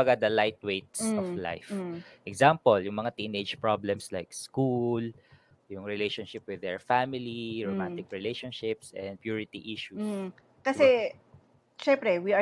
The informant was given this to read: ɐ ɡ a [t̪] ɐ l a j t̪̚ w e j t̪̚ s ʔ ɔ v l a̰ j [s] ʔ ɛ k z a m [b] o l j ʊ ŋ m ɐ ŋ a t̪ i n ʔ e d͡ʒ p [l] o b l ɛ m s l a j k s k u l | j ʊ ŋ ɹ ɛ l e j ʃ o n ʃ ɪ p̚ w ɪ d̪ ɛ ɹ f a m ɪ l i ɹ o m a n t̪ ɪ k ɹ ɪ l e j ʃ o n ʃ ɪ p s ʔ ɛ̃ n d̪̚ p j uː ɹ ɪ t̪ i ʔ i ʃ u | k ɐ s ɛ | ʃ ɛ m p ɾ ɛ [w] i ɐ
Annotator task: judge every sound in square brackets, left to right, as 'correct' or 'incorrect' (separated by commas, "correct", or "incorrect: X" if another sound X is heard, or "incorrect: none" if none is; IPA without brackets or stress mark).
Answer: incorrect: d̪, incorrect: f, incorrect: p, incorrect: ɹ, correct